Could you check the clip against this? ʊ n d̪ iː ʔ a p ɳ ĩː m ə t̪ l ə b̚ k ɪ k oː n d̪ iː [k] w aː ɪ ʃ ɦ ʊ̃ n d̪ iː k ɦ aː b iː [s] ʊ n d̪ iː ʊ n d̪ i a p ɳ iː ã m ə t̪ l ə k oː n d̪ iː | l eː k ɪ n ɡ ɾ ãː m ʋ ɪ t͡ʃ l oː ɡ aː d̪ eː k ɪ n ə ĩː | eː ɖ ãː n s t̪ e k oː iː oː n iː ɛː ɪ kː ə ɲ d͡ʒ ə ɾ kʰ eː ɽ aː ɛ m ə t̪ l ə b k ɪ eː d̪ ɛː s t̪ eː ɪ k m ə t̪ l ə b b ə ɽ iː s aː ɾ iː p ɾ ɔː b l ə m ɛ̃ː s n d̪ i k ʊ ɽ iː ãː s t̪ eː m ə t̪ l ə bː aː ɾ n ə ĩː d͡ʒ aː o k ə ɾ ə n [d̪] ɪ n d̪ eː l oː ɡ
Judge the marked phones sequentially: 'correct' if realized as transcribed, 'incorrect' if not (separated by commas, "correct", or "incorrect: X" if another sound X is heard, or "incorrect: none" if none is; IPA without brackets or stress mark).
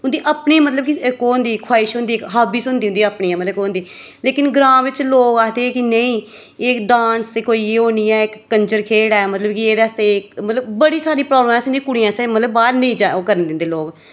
incorrect: kʰ, correct, correct